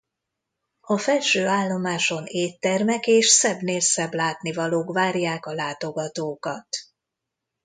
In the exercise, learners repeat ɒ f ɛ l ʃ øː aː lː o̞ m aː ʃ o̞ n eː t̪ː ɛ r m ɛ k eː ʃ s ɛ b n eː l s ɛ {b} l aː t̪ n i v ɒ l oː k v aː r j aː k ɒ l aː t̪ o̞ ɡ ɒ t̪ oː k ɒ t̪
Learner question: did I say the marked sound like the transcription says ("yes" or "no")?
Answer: yes